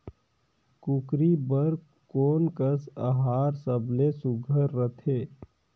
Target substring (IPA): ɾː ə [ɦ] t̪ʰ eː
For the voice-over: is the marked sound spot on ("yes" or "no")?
no